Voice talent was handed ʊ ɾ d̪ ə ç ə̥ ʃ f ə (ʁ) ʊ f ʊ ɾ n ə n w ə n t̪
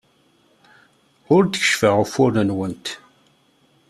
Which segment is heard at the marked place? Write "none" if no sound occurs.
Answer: ʁ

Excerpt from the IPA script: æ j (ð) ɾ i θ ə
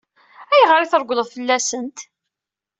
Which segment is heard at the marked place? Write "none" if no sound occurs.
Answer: ʁ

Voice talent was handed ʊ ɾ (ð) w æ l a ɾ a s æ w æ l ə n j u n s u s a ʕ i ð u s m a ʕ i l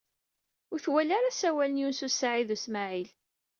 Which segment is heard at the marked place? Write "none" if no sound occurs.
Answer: θ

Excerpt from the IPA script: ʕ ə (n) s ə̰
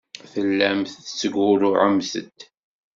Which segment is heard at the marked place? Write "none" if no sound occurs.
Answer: m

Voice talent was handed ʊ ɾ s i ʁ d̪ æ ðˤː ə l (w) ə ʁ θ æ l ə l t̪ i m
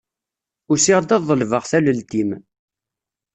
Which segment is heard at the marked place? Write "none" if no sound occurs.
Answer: v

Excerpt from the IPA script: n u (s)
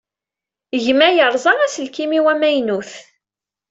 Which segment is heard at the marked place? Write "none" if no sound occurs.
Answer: θ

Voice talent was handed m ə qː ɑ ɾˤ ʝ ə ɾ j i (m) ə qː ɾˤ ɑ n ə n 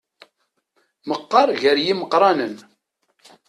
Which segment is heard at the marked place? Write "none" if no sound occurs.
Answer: m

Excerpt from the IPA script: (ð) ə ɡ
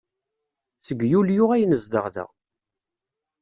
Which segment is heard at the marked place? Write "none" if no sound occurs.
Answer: θ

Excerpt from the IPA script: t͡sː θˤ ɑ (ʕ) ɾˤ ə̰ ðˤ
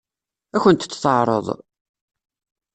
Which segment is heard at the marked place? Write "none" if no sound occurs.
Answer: ʕ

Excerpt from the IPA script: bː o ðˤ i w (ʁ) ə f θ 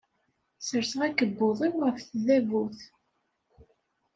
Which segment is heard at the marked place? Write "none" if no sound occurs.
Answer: ʁ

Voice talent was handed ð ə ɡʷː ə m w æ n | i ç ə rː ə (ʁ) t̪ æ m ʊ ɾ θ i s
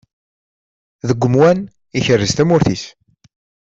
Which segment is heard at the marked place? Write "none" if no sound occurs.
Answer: z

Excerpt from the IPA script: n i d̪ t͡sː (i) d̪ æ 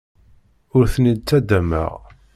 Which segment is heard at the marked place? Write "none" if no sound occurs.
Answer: æ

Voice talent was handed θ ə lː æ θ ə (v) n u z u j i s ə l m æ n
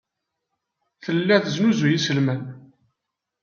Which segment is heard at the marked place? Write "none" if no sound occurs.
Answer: z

